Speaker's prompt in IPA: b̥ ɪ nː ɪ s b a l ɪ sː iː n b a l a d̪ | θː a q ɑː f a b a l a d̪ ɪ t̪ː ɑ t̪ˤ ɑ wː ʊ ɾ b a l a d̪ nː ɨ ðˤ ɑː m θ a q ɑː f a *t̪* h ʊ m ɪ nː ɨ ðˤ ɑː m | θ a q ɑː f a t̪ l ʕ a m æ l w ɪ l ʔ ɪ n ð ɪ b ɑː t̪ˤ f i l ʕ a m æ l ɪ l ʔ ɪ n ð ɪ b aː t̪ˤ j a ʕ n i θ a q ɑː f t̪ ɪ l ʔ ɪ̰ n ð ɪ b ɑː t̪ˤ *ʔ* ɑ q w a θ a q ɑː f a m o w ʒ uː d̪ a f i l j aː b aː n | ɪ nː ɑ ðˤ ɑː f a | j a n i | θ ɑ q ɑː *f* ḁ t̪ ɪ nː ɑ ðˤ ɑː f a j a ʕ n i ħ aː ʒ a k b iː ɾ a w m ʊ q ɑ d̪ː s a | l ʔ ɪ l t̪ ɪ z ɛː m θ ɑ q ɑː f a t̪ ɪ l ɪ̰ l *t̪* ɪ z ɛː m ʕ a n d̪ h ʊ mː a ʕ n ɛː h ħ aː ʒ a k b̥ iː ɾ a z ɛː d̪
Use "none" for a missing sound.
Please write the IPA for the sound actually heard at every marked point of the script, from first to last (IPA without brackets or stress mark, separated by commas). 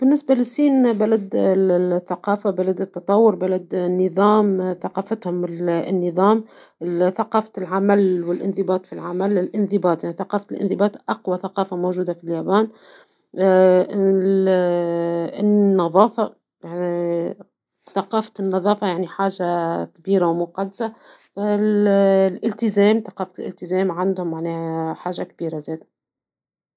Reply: t̪, ʔ, f, t̪